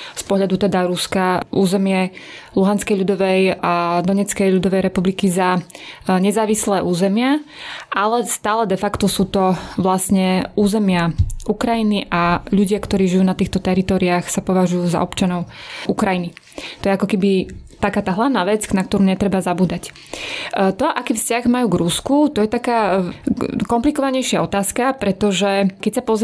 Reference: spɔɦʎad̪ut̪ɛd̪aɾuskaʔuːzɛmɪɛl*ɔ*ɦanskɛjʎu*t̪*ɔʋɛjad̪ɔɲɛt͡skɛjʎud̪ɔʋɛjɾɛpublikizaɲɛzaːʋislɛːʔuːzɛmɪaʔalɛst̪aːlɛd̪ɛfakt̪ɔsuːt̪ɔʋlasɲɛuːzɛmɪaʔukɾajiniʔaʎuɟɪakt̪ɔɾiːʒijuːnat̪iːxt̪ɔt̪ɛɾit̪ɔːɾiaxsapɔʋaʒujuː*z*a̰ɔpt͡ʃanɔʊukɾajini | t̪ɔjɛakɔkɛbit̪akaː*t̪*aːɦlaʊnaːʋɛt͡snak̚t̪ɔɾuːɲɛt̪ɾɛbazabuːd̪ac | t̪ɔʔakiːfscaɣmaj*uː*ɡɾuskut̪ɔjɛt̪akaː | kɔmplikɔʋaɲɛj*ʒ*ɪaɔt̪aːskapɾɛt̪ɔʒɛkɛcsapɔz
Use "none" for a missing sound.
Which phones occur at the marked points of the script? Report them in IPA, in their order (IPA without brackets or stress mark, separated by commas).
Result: u, d̪, z, t̪, uː, ʃ